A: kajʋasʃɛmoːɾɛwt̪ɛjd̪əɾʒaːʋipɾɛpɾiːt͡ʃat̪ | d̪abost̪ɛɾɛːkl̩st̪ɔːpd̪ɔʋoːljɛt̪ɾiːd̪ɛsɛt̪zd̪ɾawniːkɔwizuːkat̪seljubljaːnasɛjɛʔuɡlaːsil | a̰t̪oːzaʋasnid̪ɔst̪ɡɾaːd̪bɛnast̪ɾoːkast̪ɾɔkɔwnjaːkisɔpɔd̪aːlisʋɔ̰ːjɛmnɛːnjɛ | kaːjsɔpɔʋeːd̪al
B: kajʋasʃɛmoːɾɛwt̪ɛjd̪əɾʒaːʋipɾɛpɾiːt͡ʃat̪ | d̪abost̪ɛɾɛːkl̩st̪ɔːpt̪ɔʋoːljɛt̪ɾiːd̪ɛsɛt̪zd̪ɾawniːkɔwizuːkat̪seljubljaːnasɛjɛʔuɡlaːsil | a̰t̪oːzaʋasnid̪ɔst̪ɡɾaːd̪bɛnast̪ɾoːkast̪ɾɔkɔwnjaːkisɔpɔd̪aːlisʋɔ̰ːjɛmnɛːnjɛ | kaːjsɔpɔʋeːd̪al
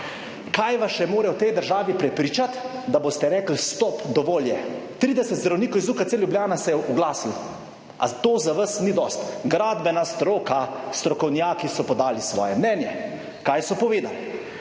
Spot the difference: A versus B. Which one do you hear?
A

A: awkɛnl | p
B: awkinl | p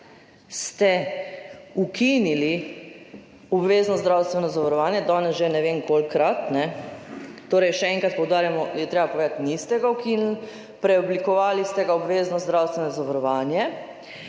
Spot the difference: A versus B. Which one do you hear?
B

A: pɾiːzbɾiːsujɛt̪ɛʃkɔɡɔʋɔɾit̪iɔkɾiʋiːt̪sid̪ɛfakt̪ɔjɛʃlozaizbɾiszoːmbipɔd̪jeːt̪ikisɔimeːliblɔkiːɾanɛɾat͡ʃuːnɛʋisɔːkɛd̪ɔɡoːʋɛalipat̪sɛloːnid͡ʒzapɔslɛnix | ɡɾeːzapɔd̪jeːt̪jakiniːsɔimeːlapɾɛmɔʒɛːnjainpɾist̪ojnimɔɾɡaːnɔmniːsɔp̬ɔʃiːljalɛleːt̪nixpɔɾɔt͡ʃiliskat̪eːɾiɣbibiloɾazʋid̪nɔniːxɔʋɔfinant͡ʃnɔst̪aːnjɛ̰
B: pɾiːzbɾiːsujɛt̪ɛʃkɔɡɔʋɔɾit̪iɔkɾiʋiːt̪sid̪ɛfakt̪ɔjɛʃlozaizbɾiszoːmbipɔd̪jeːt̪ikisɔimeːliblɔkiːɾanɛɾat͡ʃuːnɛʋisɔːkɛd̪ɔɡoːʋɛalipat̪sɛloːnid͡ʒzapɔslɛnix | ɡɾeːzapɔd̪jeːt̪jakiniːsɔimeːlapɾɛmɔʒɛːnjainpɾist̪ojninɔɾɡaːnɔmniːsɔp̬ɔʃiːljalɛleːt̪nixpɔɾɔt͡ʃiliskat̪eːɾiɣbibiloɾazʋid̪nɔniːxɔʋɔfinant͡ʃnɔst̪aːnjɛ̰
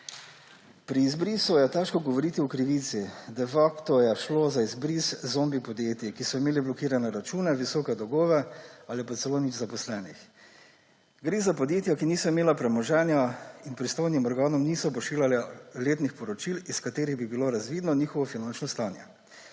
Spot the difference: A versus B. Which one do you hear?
A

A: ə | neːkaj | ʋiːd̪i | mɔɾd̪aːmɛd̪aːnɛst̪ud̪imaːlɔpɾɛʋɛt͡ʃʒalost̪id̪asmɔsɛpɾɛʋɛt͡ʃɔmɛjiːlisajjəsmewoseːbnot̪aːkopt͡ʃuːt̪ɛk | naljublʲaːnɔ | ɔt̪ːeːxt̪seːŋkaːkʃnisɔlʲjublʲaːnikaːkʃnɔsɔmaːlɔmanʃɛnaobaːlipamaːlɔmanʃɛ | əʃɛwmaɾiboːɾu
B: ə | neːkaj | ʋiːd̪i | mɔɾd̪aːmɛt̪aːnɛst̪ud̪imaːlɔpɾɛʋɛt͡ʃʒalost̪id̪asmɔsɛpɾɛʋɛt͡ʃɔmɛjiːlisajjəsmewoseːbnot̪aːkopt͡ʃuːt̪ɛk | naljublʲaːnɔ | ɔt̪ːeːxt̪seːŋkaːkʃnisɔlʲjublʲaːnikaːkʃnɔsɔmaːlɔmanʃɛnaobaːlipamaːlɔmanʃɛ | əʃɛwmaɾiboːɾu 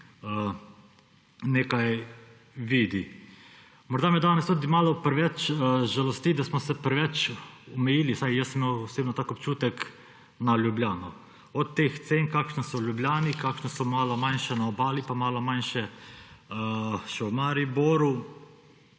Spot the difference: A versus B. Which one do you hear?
A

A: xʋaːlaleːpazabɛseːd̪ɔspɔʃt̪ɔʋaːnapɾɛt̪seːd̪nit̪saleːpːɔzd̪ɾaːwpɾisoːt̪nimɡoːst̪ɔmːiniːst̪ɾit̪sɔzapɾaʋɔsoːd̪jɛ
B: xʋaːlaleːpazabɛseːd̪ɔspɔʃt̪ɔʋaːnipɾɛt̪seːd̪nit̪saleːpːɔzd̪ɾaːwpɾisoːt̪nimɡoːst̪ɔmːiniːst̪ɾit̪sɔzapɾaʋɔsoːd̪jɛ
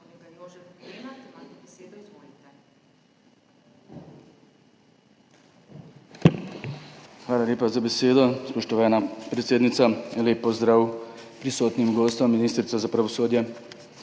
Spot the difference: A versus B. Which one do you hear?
A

